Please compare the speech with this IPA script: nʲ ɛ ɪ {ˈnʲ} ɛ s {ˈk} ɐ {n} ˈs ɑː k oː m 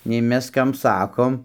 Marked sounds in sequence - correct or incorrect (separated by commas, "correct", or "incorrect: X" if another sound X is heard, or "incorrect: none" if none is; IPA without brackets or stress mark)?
incorrect: mʲ, correct, incorrect: m